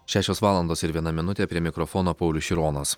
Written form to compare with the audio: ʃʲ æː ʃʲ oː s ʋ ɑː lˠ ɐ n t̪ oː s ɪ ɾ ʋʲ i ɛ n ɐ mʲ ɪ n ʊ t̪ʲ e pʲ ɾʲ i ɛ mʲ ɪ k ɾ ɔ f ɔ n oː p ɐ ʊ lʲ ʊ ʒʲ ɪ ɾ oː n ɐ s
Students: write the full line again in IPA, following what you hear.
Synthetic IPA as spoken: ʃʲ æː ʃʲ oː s ʋ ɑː lˠ ɐ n d̪ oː s ɪ ɾ ʋʲ i ɛ n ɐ mʲ ɪ n ʊ t̪ʲ e pʲ ɾʲ i ɛ mʲ ɪ k ɾ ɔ f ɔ n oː p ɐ ʊ lʲ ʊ ʃʲ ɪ ɾ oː n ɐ s